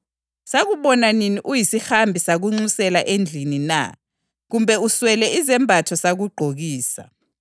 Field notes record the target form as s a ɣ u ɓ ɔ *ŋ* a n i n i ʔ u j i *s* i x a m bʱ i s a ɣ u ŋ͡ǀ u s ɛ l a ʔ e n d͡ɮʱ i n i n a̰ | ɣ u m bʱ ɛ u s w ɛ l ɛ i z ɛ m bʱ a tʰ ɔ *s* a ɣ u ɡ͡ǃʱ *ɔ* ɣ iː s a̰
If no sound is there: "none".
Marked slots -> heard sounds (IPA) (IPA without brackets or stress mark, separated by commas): n, s, s, o